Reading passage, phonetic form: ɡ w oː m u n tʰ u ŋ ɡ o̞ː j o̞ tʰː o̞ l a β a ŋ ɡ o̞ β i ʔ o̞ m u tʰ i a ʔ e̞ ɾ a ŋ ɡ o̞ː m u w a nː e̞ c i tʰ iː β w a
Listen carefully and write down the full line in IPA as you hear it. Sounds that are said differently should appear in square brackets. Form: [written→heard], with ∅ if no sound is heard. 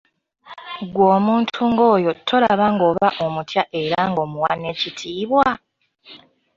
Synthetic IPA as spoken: ɡ w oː m [u→uː] n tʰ u ŋ ɡ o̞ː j o̞ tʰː o̞ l a β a ŋ ɡ o̞ β [i→a] ʔ o̞ m u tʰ [i→j] a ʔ e̞ ɾ a ŋ ɡ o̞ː m u w a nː e̞ c i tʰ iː β w a